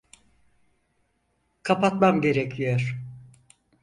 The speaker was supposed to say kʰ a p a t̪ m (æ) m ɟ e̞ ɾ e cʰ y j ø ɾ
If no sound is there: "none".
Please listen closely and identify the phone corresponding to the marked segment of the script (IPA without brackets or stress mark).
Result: a